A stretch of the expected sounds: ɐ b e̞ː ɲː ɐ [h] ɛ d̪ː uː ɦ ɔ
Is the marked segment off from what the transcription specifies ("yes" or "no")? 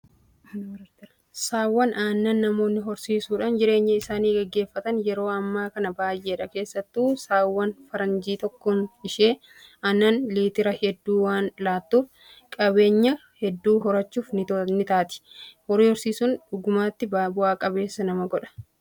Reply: no